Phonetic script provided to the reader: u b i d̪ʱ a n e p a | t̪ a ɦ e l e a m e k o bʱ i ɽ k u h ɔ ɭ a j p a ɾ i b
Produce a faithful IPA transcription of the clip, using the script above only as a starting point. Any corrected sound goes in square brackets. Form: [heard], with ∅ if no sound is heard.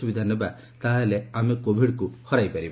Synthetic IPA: u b i d̪ʱ a n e [b] a | t̪ a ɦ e l e a m e k o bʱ i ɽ k u h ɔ [ɾ] a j p a ɾ i b

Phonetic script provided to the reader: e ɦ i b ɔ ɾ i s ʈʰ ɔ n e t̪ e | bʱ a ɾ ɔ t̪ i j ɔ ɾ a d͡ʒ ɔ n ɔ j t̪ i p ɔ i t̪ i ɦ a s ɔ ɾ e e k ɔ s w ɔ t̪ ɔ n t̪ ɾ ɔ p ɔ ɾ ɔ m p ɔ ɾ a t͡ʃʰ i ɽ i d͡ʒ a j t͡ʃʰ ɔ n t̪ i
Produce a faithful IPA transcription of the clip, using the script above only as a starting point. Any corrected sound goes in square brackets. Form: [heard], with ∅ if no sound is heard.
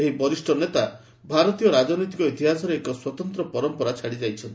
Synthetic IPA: e ɦ i b ɔ ɾ i s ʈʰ ɔ n e t̪ [a] | bʱ a ɾ ɔ t̪ i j ɔ ɾ a d͡ʒ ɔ n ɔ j t̪ i [k] ɔ i t̪ i ɦ a s ɔ ɾ e e k ɔ s w ɔ t̪ ɔ n t̪ ɾ ɔ p ɔ ɾ ɔ m p ɔ ɾ a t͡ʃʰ [a] ɽ i d͡ʒ a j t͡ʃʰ ɔ n t̪ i

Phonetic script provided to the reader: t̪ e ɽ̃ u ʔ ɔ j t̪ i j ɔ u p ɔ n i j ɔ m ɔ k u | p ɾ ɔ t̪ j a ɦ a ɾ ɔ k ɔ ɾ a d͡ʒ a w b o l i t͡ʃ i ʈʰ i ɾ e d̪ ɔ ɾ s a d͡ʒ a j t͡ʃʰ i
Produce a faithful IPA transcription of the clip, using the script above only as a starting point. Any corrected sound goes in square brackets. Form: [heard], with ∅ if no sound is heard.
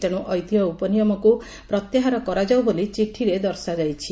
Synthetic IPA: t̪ e ɽ̃ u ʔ ɔ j t̪ i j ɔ u p ɔ n i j ɔ m ɔ k u | p ɾ ɔ t̪ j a ɦ a ɾ ɔ k ɔ ɾ a d͡ʒ a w b o l i t͡ʃ i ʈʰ i ɾ e d̪ ɔ ɾ s a d͡ʒ a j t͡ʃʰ i

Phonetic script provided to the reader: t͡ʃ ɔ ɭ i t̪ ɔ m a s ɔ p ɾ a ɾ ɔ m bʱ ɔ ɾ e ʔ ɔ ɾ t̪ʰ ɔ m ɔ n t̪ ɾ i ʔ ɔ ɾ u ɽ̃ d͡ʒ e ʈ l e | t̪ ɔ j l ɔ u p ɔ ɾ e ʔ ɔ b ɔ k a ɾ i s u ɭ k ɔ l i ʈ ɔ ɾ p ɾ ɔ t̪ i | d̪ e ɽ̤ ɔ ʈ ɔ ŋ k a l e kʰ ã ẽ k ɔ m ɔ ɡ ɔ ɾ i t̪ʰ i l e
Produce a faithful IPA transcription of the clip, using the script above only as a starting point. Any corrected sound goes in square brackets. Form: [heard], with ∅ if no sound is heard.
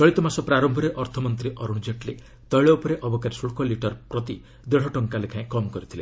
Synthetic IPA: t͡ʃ ɔ ɭ i t̪ ɔ m a s ɔ p ɾ a ɾ ɔ m bʱ ɔ ɾ e ʔ ɔ ɾ t̪ʰ ɔ m ɔ n t̪ ɾ i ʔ ɔ ɾ u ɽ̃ d͡ʒ e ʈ l e | t̪ ɔ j [ɭ] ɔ u p ɔ ɾ e ʔ ɔ b ɔ k a ɾ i s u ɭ k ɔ l i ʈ ɔ ɾ p ɾ ɔ t̪ i | d̪ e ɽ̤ ɔ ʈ ɔ ŋ k a l e kʰ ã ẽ k ɔ m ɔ [k] ɔ ɾ i t̪ʰ i l e

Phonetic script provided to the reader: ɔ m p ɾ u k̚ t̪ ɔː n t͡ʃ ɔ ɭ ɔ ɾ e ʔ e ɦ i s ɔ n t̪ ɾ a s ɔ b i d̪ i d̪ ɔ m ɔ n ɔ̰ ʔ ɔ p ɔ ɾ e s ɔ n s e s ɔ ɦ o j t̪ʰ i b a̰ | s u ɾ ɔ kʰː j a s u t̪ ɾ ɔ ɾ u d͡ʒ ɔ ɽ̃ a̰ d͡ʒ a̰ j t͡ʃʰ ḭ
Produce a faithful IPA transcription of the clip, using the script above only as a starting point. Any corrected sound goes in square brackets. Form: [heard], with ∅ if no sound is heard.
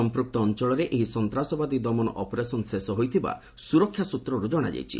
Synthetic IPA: ɔ m p ɾ u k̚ t̪ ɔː n t͡ʃ ɔ ɭ ɔ ɾ e ʔ e ɦ i s ɔ n t̪ ɾ a s ɔ b [a] d̪ i d̪ ɔ m ɔ n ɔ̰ ʔ ɔ p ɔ ɾ e s ɔ n s e s ɔ ɦ o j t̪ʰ i b a̰ | s u ɾ ɔ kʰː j a s u t̪ ɾ ɔ ɾ u d͡ʒ ɔ ɽ̃ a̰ d͡ʒ a̰ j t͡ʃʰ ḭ

